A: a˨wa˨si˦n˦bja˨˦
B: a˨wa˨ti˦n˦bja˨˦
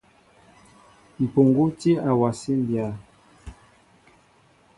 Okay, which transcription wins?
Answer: A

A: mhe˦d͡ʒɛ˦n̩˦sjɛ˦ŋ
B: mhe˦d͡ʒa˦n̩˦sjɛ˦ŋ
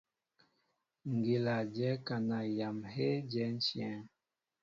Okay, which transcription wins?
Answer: A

